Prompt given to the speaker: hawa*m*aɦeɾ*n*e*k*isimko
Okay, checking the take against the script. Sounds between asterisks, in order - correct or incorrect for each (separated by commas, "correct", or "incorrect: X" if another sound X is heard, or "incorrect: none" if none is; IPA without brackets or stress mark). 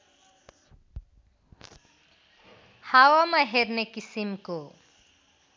correct, correct, correct